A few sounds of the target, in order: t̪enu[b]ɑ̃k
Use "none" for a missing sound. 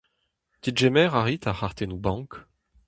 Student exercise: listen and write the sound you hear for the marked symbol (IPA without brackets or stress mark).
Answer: b